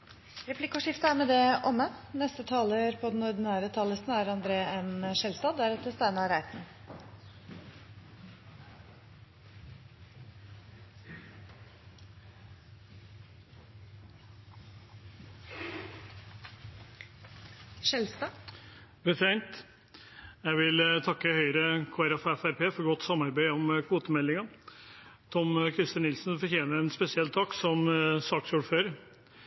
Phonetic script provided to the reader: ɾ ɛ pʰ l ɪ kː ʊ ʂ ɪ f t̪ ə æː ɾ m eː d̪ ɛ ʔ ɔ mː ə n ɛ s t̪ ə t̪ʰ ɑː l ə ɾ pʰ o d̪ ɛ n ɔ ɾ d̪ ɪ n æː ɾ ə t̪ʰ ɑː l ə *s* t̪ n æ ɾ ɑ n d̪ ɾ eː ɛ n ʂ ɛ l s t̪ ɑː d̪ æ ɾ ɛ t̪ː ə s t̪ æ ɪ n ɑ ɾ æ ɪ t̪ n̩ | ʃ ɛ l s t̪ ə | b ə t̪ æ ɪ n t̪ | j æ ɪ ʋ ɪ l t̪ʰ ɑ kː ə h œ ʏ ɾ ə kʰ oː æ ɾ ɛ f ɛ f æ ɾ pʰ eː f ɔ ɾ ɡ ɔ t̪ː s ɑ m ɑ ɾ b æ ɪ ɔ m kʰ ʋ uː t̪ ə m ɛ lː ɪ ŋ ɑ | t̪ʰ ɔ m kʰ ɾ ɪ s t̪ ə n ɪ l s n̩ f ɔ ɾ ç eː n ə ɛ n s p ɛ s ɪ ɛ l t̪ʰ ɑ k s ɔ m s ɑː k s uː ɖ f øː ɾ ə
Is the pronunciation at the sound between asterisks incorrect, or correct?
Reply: correct